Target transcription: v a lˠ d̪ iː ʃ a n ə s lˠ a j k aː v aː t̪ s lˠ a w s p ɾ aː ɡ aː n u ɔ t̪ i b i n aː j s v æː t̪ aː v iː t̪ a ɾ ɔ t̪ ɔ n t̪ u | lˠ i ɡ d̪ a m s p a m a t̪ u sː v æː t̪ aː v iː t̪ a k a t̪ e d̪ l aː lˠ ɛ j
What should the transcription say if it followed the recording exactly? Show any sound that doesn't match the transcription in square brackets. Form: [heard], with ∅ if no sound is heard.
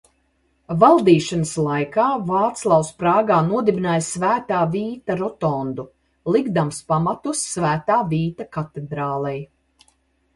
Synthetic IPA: v a lˠ d̪ iː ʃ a n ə s lˠ a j k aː v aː t̪ s lˠ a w s p ɾ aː ɡ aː n u ɔ [d̪] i b i n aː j s v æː t̪ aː v iː t̪ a ɾ ɔ t̪ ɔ n [d̪] u | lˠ i ɡ d̪ a m s p a m a t̪ u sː v æː t̪ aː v iː t̪ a k a t̪ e d̪ [ɾ] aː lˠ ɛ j